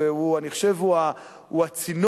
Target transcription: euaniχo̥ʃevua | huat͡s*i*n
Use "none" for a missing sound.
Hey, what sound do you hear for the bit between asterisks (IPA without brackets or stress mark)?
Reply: i